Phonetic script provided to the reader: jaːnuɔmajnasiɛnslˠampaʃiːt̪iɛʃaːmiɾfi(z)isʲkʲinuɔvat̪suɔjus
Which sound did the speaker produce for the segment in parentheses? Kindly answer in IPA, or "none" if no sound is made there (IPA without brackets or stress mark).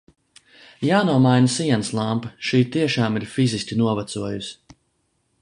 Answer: z